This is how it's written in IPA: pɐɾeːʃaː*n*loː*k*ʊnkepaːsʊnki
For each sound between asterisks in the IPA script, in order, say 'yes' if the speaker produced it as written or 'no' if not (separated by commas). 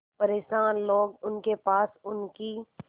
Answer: yes, no